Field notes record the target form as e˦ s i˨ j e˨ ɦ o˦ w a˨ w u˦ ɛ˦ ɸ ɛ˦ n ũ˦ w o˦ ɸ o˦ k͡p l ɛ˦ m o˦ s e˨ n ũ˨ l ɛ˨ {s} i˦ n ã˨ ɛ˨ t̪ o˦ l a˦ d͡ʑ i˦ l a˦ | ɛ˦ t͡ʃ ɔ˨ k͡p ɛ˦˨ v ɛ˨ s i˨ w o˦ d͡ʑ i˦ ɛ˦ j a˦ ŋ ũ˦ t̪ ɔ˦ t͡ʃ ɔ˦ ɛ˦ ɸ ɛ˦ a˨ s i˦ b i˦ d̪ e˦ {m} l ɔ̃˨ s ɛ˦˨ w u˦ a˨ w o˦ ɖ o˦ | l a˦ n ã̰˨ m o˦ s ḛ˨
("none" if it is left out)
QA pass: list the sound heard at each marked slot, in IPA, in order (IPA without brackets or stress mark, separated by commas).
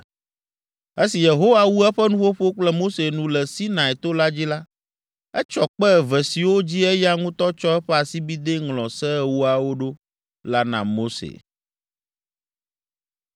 s, ŋ